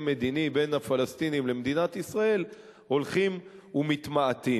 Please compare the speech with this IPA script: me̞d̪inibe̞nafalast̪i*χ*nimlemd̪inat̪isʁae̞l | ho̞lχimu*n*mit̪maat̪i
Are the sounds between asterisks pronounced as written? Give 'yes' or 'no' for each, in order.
no, no

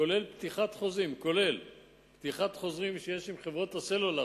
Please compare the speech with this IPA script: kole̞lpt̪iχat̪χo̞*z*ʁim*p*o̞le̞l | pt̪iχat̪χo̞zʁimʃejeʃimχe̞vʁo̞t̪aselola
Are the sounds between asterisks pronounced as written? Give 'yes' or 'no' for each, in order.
yes, no

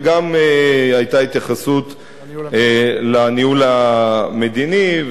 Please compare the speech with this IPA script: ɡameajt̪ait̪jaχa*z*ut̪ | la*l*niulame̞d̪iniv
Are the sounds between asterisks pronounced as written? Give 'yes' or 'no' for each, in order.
no, no

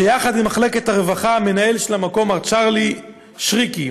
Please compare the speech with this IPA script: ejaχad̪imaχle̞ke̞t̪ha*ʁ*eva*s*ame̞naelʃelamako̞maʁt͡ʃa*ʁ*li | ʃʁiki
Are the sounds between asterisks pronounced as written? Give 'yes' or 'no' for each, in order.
yes, no, yes

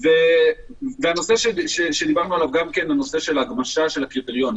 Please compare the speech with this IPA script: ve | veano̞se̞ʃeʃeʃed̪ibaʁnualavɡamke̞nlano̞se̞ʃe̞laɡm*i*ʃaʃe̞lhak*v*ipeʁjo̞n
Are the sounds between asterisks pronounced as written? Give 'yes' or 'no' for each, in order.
no, no

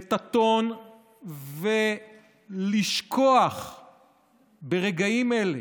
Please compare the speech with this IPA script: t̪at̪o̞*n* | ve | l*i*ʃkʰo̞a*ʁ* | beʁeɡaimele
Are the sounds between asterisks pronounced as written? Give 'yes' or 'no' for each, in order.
yes, yes, no

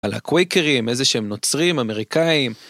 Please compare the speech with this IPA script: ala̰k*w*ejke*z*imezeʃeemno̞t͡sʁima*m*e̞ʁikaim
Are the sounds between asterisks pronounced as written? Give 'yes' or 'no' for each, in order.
yes, no, yes

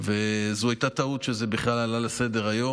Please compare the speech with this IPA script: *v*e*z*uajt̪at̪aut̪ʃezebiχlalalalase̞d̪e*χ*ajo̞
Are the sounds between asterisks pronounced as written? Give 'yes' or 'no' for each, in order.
yes, yes, no

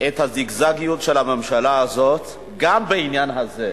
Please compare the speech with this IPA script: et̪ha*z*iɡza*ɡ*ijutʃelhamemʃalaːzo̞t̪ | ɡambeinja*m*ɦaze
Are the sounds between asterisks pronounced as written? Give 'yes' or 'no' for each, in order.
yes, yes, no

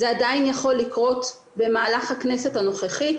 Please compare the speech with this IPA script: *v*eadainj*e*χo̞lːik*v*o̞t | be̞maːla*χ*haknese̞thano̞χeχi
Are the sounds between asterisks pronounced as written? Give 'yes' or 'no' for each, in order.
no, no, no, yes

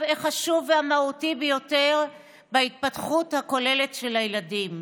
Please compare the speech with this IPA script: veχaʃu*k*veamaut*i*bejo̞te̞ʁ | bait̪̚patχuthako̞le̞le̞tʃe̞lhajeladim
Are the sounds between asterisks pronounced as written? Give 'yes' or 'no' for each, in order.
no, yes

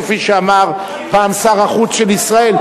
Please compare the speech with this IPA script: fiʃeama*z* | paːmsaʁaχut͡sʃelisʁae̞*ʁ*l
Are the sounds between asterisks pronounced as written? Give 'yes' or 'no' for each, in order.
no, no

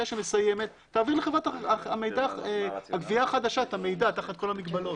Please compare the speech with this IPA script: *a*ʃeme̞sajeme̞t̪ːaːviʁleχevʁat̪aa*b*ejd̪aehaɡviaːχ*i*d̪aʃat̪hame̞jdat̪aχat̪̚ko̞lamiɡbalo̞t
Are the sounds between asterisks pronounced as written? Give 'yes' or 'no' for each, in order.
yes, no, no

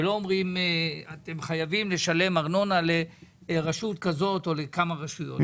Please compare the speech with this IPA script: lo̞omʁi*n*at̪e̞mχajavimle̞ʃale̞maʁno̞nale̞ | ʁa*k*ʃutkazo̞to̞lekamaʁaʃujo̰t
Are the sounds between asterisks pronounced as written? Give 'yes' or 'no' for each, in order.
no, no

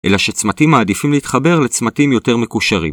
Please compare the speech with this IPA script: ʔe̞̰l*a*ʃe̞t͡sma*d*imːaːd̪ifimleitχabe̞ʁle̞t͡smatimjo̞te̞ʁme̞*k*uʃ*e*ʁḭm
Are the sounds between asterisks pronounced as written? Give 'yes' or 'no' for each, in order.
yes, no, yes, no

